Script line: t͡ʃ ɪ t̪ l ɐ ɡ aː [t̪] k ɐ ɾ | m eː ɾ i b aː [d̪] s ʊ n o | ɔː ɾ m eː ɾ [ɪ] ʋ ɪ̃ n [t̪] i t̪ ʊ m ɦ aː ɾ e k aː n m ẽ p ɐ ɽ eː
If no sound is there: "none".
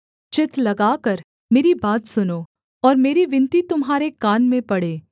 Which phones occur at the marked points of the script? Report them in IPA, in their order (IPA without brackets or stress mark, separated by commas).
none, t̪, i, t̪